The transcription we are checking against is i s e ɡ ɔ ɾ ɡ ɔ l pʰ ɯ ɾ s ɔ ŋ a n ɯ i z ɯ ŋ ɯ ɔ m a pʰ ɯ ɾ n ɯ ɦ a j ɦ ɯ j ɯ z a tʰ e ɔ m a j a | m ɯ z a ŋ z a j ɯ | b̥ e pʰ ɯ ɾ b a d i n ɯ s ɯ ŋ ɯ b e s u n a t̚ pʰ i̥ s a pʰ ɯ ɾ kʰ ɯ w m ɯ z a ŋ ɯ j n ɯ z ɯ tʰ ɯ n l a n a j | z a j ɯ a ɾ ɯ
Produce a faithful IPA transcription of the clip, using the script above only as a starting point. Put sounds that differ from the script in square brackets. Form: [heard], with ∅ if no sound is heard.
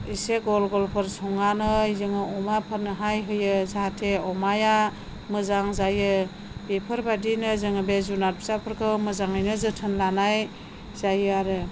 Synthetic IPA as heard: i s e ɡ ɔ [l] ɡ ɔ l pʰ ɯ ɾ s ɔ ŋ a n ɯ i z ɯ ŋ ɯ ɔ m a pʰ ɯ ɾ n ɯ ɦ a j ɦ ɯ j ɯ z a tʰ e ɔ m a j a | m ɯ z a ŋ z a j ɯ | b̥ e pʰ ɯ ɾ b a d i n ɯ [z] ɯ ŋ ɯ b e [z] u n a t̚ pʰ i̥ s a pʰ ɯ ɾ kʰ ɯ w m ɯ z a ŋ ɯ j n ɯ z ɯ tʰ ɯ n l a n a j | z a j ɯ a ɾ ɯ

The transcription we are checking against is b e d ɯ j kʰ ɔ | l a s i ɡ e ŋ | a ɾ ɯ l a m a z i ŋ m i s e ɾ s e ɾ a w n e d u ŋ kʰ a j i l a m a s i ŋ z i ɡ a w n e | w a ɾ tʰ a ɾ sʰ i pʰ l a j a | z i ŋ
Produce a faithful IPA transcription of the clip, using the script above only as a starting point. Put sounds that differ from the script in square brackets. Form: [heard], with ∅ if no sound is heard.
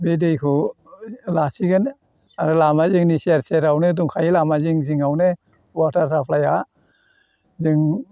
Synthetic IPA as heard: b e d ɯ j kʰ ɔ | l a s i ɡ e [n] | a ɾ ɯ l a m a z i ŋ [n] i s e ɾ s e ɾ a w n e d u ŋ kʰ a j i l a m a [z] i ŋ z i [ŋ] a w n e | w a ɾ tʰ a ɾ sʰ [a] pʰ l a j a | z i ŋ

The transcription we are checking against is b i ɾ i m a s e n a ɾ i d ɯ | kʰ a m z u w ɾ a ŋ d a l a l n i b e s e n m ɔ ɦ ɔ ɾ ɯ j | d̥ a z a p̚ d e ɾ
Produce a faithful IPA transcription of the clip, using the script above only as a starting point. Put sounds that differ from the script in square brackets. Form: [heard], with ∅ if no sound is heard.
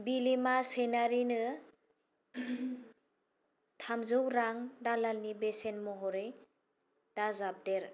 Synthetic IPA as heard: b i [l] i m a s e n a ɾ i [n] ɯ | [tʰ] a m z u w ɾ a ŋ d a l a l n i b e s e n m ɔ ɦ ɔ ɾ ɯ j | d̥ a z a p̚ d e ɾ

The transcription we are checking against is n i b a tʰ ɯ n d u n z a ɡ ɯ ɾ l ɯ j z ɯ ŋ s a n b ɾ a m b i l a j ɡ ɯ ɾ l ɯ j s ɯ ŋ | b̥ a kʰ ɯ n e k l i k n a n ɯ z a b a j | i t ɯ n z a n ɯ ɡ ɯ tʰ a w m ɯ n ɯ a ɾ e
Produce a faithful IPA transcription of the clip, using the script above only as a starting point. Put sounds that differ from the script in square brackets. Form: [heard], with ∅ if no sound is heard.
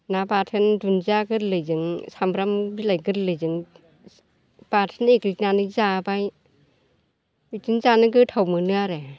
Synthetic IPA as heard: n [a] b a tʰ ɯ n d u n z a ɡ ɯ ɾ l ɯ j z ɯ ŋ s a [m] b ɾ a m b i l a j ɡ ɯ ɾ l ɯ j [z] ɯ ŋ | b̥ a [tʰ] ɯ n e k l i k n a n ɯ z a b a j | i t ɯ n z a n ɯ ɡ ɯ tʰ a w m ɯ n ɯ a ɾ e

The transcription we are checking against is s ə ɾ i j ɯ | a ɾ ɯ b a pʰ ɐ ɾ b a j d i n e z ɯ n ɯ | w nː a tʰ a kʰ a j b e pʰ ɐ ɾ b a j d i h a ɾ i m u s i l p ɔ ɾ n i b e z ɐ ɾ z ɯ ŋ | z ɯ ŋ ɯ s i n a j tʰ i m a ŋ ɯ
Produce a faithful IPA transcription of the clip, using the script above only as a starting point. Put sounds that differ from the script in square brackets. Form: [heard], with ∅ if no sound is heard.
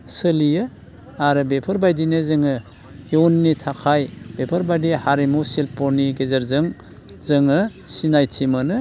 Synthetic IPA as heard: s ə [l] i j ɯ | a ɾ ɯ b [e] pʰ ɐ ɾ b a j d i n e z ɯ [ŋ] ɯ | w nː [i] tʰ a kʰ a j b e pʰ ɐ ɾ b a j d i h a ɾ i m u s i l p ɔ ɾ n i [ɡ] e z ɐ ɾ z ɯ ŋ | z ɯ ŋ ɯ s i n a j tʰ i m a [n] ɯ

